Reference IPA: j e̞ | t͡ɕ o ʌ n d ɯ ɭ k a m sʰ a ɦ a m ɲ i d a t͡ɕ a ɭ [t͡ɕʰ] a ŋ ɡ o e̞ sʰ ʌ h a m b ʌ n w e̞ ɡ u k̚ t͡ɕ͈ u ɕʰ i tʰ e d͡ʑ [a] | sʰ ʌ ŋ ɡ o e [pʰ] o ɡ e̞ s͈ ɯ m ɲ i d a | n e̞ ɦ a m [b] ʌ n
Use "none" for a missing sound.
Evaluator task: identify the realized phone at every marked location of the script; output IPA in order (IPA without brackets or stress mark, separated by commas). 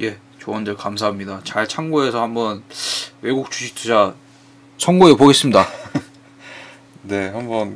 t͡ɕʰ, a, p, b